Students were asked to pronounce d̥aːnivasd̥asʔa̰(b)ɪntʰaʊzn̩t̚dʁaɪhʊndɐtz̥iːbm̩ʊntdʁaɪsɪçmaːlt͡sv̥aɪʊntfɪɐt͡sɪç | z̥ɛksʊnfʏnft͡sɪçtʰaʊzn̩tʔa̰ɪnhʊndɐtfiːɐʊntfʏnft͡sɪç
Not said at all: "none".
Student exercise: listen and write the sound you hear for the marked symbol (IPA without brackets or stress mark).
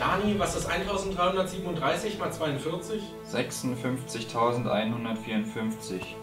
none